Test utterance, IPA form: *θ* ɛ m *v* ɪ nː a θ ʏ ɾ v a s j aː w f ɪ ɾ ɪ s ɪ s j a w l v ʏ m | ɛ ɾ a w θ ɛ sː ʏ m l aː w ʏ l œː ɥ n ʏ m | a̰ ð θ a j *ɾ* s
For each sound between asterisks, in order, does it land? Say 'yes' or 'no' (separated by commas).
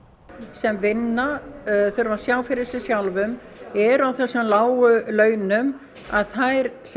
no, yes, yes